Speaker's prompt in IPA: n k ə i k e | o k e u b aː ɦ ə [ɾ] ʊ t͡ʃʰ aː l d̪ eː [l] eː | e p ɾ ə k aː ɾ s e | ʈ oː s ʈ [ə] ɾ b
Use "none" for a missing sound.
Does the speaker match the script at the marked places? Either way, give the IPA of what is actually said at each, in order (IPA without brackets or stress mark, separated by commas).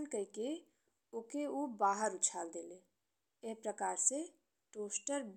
ɾ, l, ə